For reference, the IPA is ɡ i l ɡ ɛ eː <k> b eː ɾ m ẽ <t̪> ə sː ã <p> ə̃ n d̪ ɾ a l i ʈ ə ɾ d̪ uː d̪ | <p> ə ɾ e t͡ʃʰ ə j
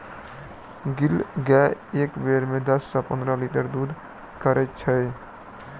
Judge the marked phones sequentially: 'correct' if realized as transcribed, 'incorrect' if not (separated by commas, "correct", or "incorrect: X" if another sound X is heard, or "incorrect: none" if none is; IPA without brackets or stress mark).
correct, incorrect: d̪, correct, incorrect: k